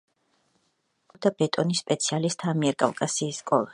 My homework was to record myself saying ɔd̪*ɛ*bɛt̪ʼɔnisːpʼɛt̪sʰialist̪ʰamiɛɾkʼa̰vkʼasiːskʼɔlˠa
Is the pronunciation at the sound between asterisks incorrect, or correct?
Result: incorrect